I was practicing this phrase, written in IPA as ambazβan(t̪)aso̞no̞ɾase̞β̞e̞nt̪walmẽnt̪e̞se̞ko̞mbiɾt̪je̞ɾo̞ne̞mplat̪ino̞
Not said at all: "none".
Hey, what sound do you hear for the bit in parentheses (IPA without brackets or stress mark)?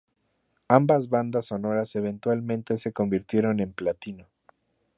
d̪